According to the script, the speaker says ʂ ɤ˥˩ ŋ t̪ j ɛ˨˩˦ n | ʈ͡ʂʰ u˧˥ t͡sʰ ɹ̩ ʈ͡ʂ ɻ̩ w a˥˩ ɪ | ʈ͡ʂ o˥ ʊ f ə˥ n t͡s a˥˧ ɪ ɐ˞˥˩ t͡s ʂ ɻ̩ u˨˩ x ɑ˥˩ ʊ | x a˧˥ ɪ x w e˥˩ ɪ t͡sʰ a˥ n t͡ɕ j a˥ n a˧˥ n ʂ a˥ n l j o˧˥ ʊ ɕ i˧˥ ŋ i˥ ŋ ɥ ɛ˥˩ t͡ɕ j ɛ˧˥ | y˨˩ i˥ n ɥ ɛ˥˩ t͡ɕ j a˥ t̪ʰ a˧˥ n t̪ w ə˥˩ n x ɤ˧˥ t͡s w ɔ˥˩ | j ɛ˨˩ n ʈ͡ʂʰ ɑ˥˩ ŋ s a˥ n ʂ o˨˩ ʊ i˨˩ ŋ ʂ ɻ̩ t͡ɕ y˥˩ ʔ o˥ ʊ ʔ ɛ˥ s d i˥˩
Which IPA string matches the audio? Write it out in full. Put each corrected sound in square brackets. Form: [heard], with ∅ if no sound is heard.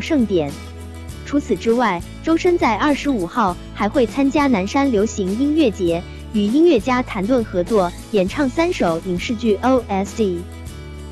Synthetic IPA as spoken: ʂ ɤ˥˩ ŋ t̪ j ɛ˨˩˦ n | ʈ͡ʂʰ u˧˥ t͡sʰ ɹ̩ ʈ͡ʂ ɻ̩ w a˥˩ ɪ | ʈ͡ʂ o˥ ʊ [ʂ] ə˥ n t͡s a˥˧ ɪ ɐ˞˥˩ [∅] ʂ ɻ̩ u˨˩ x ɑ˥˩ ʊ | x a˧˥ ɪ x w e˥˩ ɪ t͡sʰ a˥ n t͡ɕ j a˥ n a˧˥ n ʂ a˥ n l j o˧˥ ʊ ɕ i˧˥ ŋ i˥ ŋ ɥ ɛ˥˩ t͡ɕ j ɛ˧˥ | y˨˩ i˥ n ɥ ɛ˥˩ t͡ɕ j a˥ t̪ʰ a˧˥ n t̪ w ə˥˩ n x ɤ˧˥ t͡s w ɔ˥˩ | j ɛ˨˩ n ʈ͡ʂʰ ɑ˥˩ ŋ s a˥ n ʂ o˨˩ ʊ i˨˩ ŋ ʂ ɻ̩ t͡ɕ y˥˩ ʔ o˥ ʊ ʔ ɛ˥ s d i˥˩